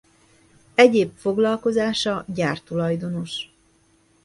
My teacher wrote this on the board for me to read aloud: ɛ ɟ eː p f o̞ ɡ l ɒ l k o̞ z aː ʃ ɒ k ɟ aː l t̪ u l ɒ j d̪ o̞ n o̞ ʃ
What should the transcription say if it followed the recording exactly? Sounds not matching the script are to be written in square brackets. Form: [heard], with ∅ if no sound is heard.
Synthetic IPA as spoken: ɛ ɟ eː p f o̞ ɡ l ɒ l k o̞ z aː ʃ ɒ [∅] ɟ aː [r] t̪ u l ɒ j d̪ o̞ n o̞ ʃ